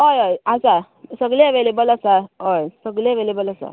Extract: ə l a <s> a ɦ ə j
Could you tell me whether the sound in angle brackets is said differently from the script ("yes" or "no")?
no